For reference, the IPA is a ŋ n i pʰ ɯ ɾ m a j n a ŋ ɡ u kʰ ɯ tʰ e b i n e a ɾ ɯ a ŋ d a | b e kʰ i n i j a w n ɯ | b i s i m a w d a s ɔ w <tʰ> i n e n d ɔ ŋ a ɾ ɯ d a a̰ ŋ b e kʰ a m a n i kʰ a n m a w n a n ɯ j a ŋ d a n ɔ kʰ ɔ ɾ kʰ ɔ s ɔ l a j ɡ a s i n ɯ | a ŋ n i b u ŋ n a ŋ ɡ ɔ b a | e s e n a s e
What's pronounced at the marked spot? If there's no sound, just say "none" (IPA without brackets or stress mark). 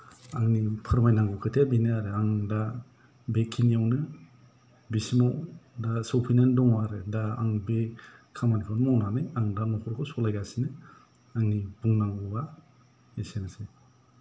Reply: pʰ